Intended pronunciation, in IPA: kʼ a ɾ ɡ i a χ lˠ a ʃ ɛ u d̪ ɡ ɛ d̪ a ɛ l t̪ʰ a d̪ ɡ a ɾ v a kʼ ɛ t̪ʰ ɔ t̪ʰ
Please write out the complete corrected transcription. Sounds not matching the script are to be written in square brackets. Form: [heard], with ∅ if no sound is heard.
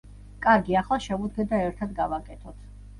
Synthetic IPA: kʼ a ɾ ɡ i a χ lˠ a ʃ ɛ u d̪ ɡ ɛ d̪ a ɛ [ɾ] t̪ʰ a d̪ ɡ a [∅] v a kʼ ɛ t̪ʰ ɔ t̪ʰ